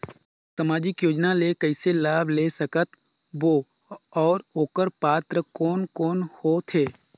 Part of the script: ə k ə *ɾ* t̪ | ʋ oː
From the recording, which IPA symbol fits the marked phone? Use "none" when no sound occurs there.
none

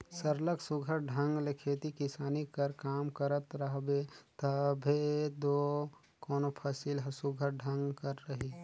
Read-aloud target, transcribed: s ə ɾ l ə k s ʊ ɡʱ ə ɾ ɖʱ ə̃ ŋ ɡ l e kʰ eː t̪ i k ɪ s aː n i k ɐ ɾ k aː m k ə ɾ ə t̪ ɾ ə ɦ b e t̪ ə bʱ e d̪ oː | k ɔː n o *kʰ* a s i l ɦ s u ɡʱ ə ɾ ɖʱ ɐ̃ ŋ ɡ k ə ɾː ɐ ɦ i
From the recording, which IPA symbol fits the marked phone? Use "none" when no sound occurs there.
pʰ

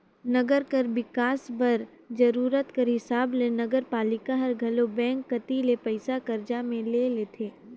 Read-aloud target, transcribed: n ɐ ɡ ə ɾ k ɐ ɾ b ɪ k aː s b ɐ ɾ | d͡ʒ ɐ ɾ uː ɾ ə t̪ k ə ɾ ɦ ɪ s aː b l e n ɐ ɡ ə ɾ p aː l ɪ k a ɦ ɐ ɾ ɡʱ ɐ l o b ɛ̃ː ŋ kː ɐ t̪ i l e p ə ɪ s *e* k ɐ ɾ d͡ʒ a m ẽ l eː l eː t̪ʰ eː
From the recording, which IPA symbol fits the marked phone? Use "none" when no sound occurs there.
a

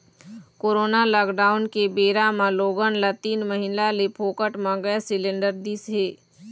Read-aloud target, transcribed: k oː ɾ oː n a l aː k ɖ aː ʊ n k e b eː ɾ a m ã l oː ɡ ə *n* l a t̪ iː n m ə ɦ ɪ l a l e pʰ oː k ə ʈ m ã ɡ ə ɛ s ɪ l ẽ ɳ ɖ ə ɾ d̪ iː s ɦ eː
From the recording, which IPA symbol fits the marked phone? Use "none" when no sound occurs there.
n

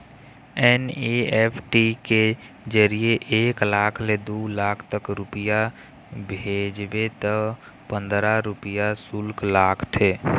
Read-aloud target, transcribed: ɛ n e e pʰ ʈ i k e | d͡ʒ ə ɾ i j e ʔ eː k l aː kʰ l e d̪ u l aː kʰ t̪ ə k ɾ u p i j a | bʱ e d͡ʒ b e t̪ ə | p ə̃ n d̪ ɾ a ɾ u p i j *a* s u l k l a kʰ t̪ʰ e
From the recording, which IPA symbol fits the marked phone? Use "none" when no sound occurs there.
a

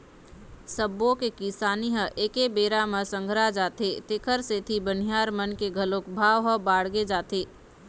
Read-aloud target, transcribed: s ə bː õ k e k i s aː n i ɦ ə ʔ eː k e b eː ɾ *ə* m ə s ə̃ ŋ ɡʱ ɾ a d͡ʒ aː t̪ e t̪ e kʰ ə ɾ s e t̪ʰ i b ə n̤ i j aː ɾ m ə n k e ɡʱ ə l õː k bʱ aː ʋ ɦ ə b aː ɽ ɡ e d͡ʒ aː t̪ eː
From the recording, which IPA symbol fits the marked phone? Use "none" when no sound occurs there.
a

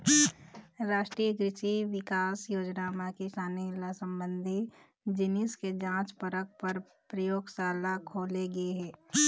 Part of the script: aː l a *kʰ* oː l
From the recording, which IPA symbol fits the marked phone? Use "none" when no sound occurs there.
kʰ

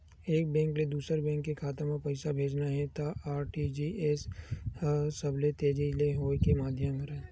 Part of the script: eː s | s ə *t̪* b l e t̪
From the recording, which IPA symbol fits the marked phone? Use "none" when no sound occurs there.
none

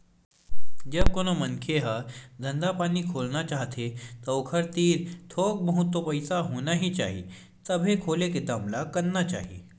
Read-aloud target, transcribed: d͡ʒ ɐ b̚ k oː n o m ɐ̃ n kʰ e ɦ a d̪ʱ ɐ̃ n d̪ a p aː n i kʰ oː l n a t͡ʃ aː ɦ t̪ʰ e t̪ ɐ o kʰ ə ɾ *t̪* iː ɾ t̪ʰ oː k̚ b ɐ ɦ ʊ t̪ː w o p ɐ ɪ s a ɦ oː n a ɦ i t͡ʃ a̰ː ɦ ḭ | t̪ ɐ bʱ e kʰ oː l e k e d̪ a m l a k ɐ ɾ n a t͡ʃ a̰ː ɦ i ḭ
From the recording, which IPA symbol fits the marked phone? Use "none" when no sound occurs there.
t̪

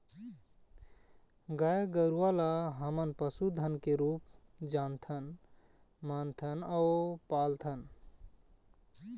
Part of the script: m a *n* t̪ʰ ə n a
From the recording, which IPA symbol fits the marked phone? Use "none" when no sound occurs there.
n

